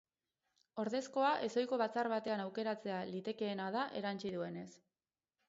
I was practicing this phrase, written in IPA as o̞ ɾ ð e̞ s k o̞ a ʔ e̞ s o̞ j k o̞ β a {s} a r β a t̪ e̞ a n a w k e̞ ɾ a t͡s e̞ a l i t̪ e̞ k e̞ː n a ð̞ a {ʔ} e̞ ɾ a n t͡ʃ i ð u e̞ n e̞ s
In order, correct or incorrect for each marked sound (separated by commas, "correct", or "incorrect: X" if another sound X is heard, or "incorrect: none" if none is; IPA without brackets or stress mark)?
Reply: incorrect: t͡s, correct